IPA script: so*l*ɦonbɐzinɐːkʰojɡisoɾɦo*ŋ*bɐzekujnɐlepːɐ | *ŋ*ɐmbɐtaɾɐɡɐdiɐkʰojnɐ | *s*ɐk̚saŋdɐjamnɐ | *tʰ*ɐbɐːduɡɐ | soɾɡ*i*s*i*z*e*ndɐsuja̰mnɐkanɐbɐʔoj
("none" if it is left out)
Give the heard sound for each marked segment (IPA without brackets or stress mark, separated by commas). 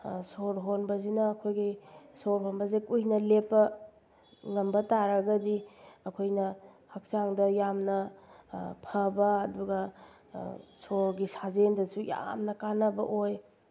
ɾ, n, ŋ, h, pʰ, i, a, e